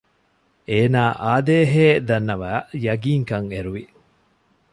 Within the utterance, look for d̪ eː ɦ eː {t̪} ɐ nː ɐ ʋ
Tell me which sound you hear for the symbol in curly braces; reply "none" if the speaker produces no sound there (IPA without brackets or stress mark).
d̪